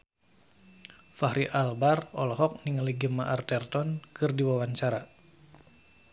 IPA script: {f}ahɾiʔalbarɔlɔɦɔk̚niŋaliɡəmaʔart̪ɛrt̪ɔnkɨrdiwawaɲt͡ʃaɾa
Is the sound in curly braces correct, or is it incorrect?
correct